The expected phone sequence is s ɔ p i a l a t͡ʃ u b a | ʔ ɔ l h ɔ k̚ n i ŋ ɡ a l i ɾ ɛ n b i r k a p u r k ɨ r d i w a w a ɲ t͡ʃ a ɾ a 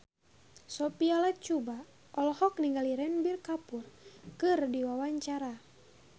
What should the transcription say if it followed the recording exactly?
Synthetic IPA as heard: s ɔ p i a l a t͡ʃ u b a | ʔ ɔ l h ɔ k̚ n i ŋ ɡ a l i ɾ ɛ n b i r k a p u r k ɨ r d i w a w a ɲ t͡ʃ a ɾ a